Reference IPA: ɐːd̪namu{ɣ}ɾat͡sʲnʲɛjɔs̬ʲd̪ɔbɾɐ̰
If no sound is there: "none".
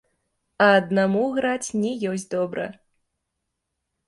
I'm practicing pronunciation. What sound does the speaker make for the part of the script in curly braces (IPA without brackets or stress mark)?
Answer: ɣ